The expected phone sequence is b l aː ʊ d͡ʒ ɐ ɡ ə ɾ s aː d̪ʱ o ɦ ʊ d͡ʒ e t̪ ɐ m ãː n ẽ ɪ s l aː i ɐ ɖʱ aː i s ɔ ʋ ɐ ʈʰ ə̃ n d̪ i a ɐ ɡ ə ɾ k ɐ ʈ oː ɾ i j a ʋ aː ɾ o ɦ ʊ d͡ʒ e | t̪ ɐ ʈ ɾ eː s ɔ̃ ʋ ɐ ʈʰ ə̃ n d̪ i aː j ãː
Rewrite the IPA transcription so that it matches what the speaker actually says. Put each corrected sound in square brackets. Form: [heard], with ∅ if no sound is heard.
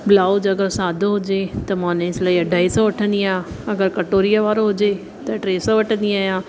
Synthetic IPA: b l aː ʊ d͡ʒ ɐ ɡ ə ɾ s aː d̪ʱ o ɦ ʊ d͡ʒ e t̪ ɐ m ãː n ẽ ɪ s l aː i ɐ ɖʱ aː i s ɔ ʋ ɐ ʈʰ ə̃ n d̪ i a ɐ ɡ ə ɾ k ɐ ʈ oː ɾ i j a ʋ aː ɾ o ɦ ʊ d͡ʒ e | t̪ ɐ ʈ ɾ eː s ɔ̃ ʋ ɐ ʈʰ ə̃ n d̪ i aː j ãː